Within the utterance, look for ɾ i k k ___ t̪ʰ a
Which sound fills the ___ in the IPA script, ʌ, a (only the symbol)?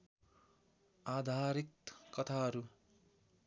ʌ